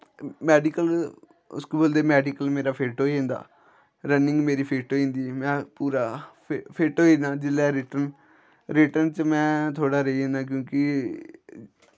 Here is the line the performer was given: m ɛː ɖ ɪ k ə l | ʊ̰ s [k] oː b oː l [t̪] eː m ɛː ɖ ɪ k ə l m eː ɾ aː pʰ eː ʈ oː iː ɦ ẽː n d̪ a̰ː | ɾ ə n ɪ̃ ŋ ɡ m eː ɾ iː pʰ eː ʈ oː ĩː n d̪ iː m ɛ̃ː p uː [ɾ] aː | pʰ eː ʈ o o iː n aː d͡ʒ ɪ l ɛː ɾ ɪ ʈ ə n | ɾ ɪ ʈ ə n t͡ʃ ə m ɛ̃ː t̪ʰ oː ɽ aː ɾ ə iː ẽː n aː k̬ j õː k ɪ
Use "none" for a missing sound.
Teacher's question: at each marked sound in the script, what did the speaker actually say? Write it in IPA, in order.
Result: k, d̪, ɾ

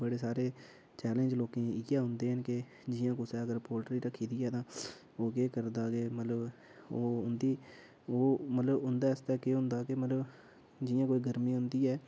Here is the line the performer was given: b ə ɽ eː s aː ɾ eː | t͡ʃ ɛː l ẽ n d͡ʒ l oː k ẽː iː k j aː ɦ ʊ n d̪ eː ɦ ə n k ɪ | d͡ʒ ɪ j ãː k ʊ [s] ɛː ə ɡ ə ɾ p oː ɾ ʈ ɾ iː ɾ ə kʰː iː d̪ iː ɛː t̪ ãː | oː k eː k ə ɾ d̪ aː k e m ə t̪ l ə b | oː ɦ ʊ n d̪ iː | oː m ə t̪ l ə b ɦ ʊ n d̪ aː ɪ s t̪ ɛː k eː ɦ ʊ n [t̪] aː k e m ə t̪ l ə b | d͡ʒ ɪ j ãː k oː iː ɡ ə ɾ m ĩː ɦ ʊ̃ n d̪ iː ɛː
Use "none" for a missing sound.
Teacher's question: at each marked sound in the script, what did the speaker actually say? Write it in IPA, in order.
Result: s, d̪

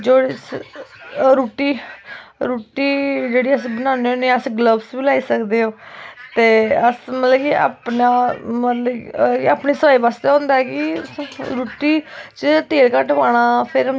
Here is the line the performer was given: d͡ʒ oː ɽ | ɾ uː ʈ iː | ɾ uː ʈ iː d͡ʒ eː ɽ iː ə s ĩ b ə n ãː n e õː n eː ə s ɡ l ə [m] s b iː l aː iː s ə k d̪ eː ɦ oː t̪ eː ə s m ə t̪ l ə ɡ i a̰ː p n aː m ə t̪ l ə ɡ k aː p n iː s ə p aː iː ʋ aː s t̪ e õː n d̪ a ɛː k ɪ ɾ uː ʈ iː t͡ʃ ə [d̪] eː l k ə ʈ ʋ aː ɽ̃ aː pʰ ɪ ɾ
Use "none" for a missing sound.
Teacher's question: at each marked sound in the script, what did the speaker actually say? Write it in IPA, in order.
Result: b, t̪

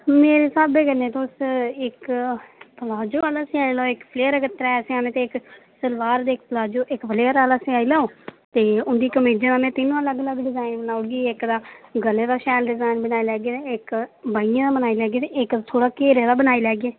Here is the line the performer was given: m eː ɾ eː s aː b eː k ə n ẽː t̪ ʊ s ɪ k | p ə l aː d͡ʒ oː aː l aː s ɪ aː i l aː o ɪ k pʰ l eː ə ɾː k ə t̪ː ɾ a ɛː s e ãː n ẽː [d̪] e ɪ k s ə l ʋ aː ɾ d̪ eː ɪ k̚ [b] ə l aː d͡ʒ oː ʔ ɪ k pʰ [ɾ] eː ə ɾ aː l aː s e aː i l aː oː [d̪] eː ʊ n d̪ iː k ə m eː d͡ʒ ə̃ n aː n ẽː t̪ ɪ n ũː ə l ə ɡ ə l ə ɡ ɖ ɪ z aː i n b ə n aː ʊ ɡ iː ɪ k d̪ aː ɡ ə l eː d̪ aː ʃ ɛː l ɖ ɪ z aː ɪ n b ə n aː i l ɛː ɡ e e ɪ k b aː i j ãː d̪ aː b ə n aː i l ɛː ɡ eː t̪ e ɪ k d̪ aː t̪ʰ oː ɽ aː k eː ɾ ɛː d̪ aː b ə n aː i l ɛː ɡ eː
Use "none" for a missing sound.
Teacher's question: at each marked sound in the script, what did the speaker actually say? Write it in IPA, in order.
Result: t̪, p, l, t̪

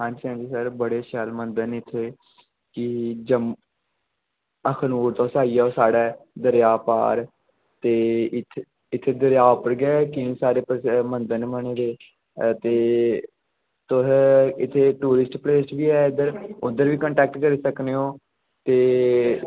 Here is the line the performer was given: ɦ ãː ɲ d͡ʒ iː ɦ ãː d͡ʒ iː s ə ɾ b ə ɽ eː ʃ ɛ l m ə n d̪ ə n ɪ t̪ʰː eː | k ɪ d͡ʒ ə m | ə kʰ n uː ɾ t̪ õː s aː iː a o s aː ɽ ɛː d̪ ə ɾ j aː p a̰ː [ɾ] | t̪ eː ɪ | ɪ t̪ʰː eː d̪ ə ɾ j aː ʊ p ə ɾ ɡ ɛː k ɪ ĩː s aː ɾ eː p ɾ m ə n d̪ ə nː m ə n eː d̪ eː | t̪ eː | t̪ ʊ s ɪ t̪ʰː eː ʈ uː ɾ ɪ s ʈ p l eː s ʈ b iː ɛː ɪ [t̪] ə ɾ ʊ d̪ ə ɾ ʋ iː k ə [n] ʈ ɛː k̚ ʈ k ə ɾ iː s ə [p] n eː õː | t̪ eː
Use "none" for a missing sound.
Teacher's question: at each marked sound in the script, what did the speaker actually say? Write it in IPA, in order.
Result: ɾ, d̪, ɳ, k

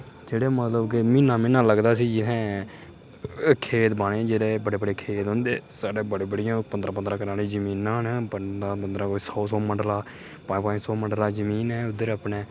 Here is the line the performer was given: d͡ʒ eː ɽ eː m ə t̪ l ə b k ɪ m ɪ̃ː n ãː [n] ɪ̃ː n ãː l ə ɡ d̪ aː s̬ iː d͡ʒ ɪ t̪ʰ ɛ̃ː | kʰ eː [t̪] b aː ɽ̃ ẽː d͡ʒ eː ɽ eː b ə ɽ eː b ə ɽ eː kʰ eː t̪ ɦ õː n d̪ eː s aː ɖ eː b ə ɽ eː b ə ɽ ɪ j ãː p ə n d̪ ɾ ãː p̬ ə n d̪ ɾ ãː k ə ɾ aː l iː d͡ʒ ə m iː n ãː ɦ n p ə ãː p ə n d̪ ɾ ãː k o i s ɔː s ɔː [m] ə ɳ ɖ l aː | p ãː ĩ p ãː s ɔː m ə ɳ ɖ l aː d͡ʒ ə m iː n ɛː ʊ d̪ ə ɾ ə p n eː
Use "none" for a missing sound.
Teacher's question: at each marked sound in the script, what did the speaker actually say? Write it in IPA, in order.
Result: m, t̪, m

